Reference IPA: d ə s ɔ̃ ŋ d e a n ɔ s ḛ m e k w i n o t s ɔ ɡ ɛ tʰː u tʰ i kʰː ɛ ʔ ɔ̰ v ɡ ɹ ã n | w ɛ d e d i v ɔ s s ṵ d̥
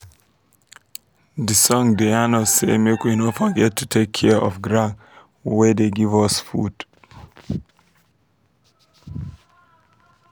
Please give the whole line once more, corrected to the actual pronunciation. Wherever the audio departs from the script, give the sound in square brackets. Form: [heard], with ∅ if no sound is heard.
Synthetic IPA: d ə s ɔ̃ ŋ d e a n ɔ s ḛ m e k w i n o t [f] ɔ ɡ ɛ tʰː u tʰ [e] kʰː ɛ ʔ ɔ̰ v ɡ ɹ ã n | w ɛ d e [ɡ] i v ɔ s [f] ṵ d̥